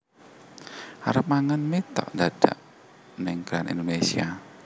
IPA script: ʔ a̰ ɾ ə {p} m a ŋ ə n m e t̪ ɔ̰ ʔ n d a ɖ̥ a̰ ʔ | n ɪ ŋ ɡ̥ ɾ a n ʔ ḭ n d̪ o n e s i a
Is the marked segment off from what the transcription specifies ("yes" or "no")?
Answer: no